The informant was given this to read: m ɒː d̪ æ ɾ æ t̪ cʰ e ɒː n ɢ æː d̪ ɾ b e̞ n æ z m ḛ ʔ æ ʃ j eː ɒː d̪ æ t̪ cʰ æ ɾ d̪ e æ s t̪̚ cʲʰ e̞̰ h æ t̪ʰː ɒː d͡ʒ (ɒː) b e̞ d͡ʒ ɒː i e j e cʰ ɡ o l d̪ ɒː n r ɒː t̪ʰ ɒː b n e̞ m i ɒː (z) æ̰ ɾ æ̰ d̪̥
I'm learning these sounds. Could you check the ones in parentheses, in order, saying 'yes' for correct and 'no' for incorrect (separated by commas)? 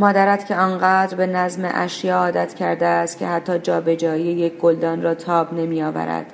yes, no